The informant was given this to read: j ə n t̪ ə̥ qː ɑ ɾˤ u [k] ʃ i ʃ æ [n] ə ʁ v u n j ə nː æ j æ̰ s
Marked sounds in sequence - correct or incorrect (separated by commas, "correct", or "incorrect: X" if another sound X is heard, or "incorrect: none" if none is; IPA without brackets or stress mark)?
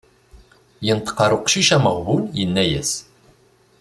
incorrect: q, incorrect: m